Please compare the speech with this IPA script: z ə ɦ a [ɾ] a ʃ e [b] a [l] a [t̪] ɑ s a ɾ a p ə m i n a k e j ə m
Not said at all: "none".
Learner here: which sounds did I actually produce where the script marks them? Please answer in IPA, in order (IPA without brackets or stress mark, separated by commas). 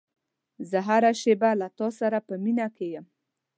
ɾ, b, l, t̪